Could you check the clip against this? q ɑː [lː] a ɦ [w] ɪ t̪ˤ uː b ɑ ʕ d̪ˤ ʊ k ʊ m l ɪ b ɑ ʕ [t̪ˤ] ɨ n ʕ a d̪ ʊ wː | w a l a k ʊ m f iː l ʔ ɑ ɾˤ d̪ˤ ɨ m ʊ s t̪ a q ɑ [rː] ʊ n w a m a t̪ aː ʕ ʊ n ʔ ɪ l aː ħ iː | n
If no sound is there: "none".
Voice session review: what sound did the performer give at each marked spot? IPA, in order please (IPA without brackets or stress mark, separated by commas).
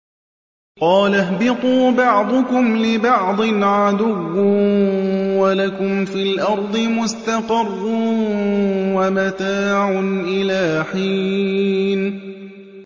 l, b, d̪ˤ, rː